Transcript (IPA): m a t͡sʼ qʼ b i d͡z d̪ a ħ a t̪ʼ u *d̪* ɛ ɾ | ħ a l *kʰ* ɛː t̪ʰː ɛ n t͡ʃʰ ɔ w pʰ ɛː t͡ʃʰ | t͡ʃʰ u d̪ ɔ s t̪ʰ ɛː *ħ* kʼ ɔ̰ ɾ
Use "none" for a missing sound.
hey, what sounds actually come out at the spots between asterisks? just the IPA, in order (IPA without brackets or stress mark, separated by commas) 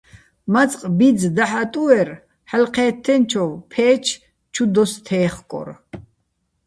none, qʰ, χ